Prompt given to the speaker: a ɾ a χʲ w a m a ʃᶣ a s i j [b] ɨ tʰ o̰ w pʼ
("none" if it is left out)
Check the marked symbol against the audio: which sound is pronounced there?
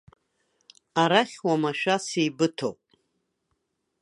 b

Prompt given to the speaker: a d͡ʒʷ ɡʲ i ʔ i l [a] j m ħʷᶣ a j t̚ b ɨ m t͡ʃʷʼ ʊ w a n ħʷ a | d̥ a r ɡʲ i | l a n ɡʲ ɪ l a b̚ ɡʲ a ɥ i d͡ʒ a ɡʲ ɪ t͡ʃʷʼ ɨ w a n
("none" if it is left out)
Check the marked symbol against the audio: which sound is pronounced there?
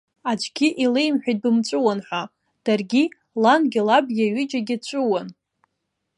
e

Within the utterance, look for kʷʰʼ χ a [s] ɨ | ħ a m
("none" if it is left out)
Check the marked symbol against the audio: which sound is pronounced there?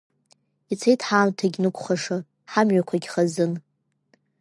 ʂ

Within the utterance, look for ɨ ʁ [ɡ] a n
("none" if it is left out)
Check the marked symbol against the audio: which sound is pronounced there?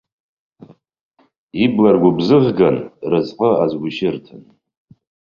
ɡ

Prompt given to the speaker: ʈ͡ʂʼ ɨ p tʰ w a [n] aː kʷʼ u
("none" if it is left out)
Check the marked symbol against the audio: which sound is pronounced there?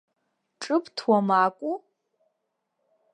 m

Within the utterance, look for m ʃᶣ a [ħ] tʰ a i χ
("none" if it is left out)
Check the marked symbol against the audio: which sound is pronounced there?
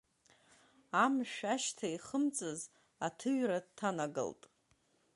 ʃ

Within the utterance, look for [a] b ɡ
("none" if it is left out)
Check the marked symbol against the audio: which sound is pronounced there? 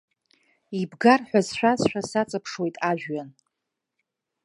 i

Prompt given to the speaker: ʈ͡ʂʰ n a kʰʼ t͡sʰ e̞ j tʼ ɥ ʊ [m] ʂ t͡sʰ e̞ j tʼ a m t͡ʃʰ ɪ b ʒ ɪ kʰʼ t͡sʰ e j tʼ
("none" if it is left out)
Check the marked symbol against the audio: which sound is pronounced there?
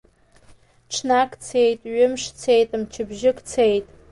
m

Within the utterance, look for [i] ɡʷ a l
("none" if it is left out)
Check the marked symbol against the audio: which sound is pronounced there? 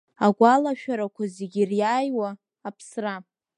a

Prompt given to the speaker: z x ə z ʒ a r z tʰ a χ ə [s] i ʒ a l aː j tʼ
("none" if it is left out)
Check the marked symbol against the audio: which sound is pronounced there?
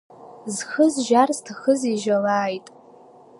z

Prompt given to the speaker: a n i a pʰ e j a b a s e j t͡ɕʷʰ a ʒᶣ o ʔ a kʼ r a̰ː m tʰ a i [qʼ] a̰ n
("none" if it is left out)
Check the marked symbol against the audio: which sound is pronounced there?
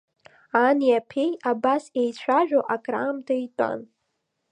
tʼ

